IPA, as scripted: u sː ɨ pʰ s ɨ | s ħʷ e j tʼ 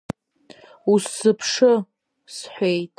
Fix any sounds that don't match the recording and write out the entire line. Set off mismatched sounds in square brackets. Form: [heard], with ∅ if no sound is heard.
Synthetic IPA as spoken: u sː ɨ pʰ [ʂ] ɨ | s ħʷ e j tʼ